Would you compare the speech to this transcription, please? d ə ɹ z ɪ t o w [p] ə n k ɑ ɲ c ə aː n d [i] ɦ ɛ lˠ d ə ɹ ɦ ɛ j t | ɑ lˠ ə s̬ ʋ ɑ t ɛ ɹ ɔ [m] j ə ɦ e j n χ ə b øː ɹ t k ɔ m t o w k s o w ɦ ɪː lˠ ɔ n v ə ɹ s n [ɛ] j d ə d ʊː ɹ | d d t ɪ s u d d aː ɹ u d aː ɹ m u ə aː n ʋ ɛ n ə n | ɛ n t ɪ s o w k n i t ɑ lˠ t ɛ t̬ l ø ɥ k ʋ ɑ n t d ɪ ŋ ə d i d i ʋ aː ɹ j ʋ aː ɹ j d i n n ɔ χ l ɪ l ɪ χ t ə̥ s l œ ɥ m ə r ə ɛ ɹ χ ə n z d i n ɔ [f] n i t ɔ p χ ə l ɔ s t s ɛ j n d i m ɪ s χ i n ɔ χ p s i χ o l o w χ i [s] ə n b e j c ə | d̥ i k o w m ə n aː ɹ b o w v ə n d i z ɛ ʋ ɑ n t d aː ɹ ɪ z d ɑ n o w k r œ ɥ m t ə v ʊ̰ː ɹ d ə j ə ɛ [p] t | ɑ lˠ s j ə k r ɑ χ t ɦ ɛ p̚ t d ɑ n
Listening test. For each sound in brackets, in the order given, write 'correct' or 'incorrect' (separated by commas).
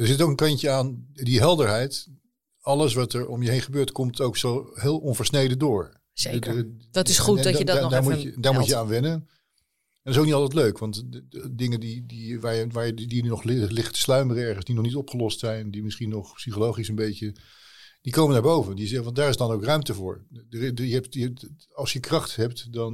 incorrect, correct, correct, incorrect, incorrect, correct, correct